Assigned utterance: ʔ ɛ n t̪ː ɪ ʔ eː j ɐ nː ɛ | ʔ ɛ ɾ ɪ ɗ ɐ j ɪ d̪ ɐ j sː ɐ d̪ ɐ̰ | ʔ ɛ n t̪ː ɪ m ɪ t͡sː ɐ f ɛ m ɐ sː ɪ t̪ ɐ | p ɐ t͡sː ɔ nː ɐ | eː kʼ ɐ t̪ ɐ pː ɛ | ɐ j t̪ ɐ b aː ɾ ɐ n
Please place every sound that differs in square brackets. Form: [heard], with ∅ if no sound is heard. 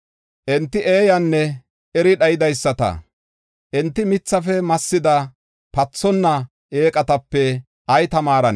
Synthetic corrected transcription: ʔ ɛ n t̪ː ɪ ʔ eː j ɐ nː ɛ | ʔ ɛ ɾ ɪ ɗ ɐ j ɪ d̪ ɐ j sː ɐ [t̪] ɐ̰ | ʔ ɛ n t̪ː ɪ m ɪ t͡sː ɐ f ɛ m ɐ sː ɪ [d̪] ɐ | p ɐ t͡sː ɔ nː ɐ | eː kʼ ɐ t̪ ɐ pː ɛ | ɐ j t̪ ɐ [m] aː ɾ ɐ n